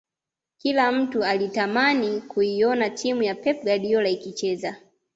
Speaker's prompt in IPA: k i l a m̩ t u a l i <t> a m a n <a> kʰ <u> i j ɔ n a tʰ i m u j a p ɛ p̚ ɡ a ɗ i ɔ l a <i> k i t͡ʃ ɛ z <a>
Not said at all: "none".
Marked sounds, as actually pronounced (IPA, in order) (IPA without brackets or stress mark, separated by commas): t, i, u, i, a